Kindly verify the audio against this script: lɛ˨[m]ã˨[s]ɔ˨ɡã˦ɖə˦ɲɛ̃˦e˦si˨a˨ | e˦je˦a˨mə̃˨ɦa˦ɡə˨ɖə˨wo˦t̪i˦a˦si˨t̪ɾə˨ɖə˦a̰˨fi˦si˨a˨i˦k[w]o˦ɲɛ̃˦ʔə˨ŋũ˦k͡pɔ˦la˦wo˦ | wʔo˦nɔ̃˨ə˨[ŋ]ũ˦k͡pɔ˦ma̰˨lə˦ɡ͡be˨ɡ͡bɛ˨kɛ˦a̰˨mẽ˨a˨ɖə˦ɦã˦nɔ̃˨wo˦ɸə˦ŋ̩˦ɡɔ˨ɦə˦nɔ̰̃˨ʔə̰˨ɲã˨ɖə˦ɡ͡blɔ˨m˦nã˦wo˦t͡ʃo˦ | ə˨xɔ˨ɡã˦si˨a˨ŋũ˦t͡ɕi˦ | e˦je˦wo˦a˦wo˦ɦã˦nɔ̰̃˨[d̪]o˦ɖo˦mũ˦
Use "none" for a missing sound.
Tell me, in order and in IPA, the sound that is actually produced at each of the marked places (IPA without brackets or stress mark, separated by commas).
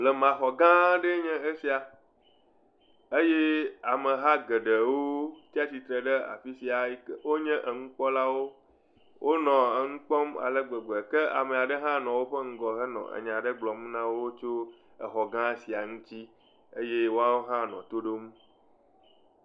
m, x, w, ŋ, t̪